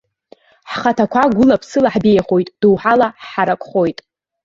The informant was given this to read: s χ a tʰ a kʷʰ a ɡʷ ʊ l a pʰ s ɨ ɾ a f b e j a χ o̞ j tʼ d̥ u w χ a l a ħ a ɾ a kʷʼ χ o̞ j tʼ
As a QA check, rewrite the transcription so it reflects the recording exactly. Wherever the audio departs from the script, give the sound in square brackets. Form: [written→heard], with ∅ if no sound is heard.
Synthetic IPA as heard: [s→ħ] χ a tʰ a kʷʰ a ɡʷ ʊ l a pʰ s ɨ [ɾ→l] a [f→ħ] b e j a χ o̞ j tʼ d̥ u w [χ→ħ] a l a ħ a ɾ a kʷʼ χ o̞ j tʼ